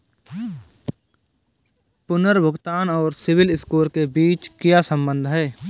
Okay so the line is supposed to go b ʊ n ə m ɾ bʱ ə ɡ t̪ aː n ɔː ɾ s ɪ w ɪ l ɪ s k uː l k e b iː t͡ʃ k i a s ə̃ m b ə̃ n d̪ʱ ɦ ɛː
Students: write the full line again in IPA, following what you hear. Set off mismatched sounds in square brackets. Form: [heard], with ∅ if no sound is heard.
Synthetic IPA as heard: [p] ʊ n ə [∅] ɾ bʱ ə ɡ t̪ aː n ɔː ɾ s ɪ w ɪ l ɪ s k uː l k e b iː t͡ʃ k [j] a s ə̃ m b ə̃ n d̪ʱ ɦ ɛː